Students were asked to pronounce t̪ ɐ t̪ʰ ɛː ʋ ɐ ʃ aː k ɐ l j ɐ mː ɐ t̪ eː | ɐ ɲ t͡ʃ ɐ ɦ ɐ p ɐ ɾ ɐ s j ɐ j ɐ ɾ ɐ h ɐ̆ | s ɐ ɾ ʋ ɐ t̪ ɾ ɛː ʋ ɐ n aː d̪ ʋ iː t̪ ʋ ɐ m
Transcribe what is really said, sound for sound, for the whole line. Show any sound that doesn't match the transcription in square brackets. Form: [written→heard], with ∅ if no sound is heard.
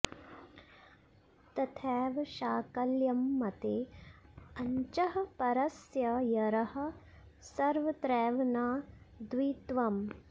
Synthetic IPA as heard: t̪ ɐ t̪ʰ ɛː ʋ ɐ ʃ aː k ɐ l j ɐ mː ɐ t̪ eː | ɐ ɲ t͡ʃ ɐ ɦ ɐ p ɐ ɾ ɐ s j ɐ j ɐ ɾ ɐ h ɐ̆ | s ɐ ɾ ʋ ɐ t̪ ɾ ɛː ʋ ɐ n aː d̪ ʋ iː t̪ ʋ ɐ m